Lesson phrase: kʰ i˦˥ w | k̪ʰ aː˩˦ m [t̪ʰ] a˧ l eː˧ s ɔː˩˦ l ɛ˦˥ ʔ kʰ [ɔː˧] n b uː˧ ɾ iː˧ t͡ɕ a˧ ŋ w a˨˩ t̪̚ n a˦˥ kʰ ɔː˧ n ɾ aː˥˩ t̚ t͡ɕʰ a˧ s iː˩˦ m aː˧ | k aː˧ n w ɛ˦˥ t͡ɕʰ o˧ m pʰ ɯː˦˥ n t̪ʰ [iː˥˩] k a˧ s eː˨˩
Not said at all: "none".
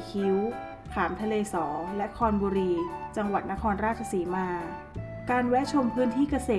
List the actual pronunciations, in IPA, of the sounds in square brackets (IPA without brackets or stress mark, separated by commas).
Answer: t̪ʰ, ɔː˧, iː˥˩